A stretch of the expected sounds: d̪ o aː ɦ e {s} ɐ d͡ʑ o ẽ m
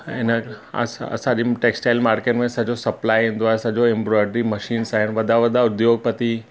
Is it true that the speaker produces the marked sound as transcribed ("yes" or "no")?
yes